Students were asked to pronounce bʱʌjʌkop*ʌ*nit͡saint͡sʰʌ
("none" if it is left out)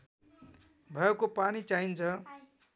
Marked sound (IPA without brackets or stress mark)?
a